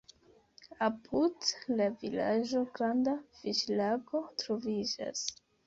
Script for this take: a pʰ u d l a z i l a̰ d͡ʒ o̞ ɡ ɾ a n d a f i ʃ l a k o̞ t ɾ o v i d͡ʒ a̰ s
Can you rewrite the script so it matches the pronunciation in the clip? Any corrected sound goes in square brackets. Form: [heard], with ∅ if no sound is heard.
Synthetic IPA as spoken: a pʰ u d l a [v] i l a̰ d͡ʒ o̞ ɡ ɾ a n d a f i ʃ l a [ɡ] o̞ t ɾ o v i d͡ʒ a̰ s